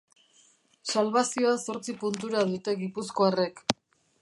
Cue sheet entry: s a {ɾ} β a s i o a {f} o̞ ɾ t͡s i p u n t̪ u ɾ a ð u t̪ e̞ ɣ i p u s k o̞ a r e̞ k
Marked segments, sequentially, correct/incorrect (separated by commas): incorrect, incorrect